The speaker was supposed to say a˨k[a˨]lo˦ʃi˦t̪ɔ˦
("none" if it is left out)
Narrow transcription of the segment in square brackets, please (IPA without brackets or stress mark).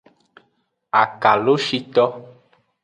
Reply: a˨